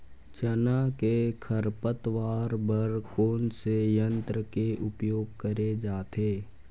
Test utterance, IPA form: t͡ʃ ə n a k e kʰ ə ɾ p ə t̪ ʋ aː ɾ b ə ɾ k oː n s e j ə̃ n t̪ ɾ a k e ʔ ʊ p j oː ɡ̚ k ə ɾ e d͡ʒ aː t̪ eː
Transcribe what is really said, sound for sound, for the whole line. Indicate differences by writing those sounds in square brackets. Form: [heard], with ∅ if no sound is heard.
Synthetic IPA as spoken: t͡ʃ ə n a k e kʰ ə ɾ p ə t̪ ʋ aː ɾ b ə ɾ k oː n s e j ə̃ n t̪ ɾ [ə] k e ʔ ʊ p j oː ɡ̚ k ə ɾ e d͡ʒ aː t̪ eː